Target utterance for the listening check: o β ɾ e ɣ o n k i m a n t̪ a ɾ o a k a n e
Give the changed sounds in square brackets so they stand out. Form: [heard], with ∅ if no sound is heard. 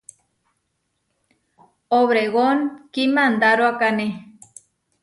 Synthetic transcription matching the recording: o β ɾ e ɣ o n k i m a n [d̪] a ɾ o a k a n e